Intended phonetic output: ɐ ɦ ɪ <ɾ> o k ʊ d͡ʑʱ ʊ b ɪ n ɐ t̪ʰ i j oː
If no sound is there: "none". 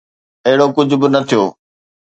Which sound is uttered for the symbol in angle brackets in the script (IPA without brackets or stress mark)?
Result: ɽ